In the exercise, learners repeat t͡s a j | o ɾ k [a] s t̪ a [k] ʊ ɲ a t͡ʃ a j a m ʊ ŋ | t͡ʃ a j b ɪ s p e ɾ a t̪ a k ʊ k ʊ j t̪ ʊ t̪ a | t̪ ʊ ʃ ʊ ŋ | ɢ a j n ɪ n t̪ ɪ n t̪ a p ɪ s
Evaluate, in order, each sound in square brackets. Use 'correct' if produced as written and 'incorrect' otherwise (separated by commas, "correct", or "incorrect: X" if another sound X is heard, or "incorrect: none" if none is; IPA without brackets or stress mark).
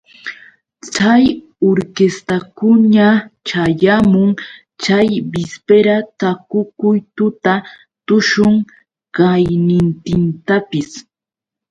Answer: incorrect: e, correct